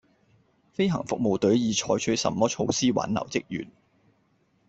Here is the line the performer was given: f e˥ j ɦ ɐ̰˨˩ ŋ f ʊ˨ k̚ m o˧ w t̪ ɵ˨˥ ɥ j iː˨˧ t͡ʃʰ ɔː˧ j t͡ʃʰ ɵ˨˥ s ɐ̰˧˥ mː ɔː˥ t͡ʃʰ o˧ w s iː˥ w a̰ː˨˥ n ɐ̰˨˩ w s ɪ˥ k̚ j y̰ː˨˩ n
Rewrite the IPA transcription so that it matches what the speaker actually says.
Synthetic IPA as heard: f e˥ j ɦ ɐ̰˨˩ ŋ f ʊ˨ k̚ m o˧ w t̪ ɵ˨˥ ɥ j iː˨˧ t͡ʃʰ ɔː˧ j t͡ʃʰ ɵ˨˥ s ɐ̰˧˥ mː ɔː˥ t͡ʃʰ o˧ w s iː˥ w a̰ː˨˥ n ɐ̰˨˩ w t͡s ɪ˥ k̚ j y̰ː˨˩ n